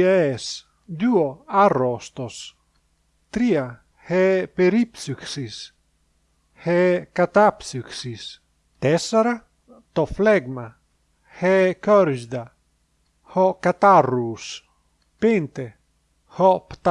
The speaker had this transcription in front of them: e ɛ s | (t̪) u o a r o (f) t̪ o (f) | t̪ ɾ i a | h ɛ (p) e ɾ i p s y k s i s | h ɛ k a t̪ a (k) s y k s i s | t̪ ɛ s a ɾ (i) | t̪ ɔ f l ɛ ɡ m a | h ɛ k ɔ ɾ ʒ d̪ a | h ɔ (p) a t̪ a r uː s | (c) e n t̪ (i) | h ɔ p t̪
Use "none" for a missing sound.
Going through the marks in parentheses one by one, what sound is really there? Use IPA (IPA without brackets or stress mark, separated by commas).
d̪, s, s, p, p, a, k, p, e